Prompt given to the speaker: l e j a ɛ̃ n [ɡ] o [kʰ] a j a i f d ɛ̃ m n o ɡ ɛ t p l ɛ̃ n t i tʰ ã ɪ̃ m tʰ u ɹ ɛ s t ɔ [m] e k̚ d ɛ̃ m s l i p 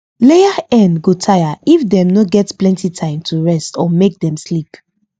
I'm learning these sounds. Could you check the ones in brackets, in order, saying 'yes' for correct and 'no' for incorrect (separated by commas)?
yes, no, yes